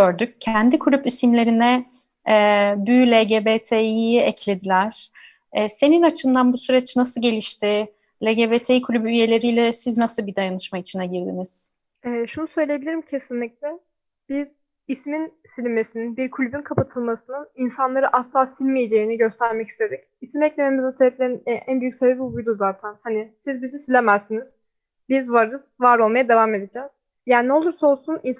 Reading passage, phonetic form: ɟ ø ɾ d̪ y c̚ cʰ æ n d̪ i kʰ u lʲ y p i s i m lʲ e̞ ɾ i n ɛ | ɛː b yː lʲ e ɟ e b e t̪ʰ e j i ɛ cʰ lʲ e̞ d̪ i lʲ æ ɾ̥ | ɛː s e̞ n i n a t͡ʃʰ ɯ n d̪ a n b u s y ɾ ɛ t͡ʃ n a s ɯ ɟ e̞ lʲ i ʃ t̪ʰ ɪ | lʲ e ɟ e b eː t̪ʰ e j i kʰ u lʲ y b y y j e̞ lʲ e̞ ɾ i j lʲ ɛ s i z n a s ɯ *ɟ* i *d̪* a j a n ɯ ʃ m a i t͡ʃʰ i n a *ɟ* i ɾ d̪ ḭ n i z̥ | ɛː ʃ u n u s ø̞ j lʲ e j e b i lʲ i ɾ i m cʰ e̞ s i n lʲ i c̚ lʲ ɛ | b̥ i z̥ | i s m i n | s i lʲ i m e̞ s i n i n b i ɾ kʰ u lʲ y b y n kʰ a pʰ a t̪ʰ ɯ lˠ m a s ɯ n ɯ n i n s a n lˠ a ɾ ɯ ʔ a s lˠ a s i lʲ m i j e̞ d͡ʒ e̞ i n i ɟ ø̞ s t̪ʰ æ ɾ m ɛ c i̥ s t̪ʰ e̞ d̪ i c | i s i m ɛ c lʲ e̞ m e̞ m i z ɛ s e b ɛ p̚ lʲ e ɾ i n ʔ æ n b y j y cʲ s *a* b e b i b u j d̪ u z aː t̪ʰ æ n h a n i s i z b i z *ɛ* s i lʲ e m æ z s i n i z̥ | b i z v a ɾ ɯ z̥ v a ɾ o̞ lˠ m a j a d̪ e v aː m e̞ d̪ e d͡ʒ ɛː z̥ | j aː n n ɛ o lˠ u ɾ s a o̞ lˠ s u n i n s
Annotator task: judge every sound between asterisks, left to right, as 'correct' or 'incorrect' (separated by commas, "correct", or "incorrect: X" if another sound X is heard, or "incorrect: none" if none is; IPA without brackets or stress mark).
incorrect: b, correct, correct, incorrect: e, incorrect: i